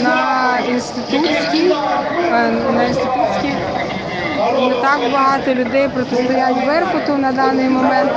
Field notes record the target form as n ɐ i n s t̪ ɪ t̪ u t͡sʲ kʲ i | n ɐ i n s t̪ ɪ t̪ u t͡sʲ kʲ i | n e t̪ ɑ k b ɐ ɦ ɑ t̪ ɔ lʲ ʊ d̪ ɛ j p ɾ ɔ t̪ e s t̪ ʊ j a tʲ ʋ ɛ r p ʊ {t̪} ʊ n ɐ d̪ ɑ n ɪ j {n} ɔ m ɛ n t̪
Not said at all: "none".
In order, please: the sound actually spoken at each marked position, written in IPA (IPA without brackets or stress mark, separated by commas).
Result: t̪, m